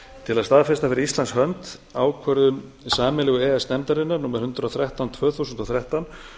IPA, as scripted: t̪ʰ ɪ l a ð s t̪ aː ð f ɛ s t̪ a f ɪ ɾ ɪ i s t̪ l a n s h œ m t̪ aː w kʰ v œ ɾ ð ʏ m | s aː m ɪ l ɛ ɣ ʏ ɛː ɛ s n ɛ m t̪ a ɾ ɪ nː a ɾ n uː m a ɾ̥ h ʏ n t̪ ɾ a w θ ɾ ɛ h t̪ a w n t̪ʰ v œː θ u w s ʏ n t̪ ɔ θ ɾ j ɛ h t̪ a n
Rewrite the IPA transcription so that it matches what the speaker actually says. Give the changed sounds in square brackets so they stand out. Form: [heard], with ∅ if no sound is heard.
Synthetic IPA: t̪ʰ ɪ l a ð s t̪ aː ð f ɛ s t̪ a f ɪ ɾ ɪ i s t̪ l a n s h œ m t̪ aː w kʰ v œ ɾ ð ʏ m | s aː m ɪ l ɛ ɣ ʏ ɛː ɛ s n ɛ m t̪ a ɾ ɪ nː a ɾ n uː m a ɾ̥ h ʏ n t̪ ɾ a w θ ɾ ɛ h t̪ a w n t̪ʰ v œː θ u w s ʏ n t̪ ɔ θ ɾ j ɛ h t̪ a n